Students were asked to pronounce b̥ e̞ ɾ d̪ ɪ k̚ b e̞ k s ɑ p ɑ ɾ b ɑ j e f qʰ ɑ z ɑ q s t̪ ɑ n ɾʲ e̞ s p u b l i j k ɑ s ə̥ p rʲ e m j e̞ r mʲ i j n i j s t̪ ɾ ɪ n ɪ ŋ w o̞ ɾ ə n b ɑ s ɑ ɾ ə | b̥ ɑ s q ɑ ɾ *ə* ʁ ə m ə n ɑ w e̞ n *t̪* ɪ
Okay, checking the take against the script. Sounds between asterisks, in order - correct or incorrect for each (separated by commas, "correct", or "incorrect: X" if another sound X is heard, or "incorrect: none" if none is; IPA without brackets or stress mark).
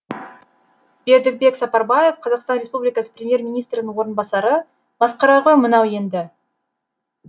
incorrect: ɑ, incorrect: d̪